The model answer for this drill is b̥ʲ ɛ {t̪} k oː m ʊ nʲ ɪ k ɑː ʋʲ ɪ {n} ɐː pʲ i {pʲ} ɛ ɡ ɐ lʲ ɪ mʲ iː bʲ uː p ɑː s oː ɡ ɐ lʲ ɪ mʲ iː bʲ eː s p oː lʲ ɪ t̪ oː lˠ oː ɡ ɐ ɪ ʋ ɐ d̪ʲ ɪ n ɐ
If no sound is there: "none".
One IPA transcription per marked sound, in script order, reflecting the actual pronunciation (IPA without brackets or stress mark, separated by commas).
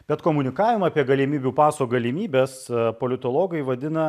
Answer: t̪, m, none